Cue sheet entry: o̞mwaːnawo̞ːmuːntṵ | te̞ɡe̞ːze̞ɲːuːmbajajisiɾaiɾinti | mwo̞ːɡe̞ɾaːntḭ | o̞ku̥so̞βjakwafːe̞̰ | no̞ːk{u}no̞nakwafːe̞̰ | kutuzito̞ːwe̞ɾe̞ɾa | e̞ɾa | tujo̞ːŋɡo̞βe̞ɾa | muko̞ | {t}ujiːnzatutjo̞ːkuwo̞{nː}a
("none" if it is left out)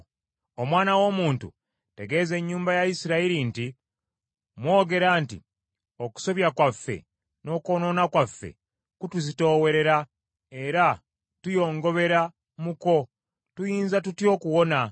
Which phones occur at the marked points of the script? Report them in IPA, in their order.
o, t, n

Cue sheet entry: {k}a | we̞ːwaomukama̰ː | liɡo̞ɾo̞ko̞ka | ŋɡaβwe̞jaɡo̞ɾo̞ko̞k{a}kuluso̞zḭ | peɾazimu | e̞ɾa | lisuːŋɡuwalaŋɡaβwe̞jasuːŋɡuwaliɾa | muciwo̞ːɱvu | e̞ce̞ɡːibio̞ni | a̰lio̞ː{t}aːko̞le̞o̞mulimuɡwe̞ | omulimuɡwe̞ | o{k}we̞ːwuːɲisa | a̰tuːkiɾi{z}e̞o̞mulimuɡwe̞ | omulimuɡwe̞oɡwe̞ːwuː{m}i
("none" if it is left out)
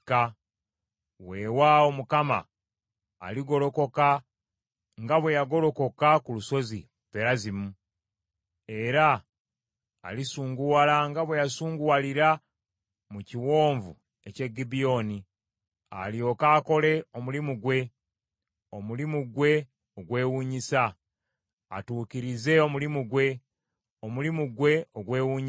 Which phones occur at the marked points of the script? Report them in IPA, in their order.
k, a, k, ɡ, z, ɲ

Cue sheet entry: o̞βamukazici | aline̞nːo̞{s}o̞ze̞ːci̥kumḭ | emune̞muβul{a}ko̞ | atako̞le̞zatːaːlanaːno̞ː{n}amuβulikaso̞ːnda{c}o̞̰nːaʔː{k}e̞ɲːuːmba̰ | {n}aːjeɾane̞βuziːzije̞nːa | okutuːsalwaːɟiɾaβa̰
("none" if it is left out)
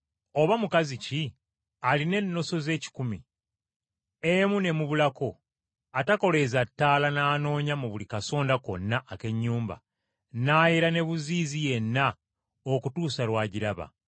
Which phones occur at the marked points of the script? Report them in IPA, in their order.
s, a, ɲ, k, k, n

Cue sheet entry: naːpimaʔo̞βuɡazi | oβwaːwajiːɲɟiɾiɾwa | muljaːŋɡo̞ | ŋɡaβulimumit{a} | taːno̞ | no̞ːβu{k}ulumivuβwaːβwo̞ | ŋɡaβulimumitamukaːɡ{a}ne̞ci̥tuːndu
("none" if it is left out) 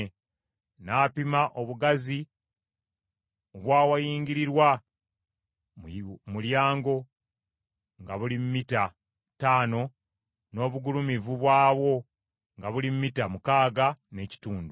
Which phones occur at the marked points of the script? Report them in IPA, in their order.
a, ɡ, a

